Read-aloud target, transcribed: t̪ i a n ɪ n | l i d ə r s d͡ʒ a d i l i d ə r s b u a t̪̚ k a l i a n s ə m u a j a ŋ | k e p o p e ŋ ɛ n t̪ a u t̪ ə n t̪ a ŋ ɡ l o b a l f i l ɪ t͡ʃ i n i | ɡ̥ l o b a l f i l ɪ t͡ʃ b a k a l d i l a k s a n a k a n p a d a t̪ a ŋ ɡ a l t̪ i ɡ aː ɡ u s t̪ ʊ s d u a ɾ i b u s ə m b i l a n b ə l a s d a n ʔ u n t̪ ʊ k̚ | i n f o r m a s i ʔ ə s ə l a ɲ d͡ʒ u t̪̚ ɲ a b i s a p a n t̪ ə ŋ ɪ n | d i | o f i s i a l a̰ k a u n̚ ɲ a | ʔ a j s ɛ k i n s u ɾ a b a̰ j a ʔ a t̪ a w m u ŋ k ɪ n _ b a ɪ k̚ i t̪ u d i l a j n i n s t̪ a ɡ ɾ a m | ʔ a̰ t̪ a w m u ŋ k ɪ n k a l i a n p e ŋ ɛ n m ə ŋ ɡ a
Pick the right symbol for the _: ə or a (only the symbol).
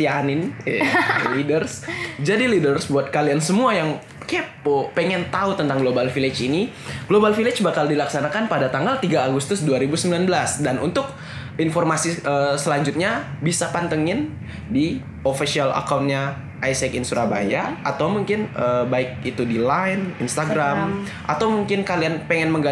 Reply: ə